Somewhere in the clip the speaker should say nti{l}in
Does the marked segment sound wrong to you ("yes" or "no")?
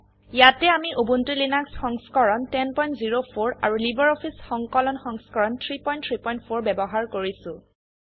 no